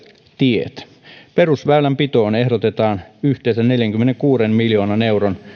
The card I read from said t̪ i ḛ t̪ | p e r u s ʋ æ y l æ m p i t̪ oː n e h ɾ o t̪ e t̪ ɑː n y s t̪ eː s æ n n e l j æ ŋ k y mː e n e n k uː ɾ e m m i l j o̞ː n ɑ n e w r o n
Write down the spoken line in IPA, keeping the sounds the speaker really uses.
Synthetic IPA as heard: t̪ i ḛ t̪ | p e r u s ʋ æ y l æ m p i t̪ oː n e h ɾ o t̪ e t̪ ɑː n y h t̪ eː s æ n n e l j æ ŋ k y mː e n e ŋ k uː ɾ e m m i l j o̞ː n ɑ n e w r o n